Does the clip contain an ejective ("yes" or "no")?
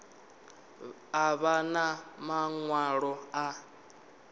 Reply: no